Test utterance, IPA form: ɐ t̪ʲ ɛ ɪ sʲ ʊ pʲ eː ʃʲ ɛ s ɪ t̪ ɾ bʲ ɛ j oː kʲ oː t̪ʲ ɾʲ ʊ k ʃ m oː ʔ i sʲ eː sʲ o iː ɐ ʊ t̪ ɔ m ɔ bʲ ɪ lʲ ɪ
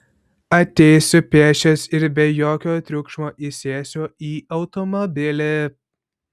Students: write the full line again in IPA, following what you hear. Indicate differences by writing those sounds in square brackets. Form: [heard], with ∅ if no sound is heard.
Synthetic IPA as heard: ɐ t̪ʲ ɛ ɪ sʲ ʊ pʲ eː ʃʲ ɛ s ɪ [∅] ɾ bʲ ɛ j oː kʲ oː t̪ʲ ɾʲ ʊ k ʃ m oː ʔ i sʲ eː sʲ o iː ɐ ʊ t̪ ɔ m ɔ bʲ ɪ lʲ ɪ